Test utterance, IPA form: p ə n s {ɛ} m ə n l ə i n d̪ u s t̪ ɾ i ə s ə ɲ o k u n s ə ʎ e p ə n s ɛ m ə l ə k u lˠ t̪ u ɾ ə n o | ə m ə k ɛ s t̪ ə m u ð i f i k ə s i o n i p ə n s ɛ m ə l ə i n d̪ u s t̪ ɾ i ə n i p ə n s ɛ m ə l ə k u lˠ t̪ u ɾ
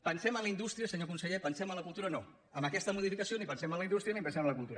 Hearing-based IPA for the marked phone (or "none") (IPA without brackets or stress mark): ɛ